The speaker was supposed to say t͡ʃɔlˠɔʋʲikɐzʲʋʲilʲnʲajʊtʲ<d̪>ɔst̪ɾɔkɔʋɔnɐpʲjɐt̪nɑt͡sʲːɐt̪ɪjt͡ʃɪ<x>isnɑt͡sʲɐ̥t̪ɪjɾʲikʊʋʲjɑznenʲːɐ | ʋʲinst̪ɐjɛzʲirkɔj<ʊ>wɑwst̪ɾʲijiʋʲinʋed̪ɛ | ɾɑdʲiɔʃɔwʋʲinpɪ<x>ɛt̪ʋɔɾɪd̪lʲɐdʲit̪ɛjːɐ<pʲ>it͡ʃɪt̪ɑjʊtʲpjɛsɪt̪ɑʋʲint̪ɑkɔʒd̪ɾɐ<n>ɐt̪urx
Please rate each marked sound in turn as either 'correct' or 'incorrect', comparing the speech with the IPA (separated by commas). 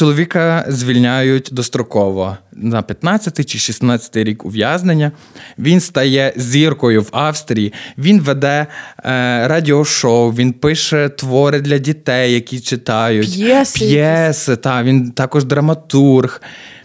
correct, incorrect, correct, incorrect, incorrect, incorrect